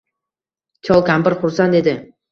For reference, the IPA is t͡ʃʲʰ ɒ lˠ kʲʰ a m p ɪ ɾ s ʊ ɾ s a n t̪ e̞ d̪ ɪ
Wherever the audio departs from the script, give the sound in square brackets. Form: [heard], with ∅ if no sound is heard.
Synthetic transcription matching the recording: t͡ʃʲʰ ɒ lˠ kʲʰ a m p ɪ ɾ [χ] ʊ ɾ s a n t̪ e̞ d̪ ɪ